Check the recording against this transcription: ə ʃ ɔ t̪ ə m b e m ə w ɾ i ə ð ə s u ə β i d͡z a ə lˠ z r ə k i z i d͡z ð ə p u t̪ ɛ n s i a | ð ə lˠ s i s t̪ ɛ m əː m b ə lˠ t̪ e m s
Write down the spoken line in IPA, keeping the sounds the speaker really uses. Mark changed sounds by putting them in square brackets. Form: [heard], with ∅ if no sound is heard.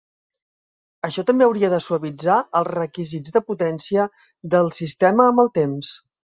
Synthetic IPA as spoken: ə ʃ ɔ t̪ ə m b e [∅] ə w ɾ i ə ð ə s u ə β i d͡z a ə lˠ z r ə k i z i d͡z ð ə p u t̪ ɛ n s i [ə] | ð ə lˠ s i s t̪ ɛ m əː m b ə lˠ t̪ e m s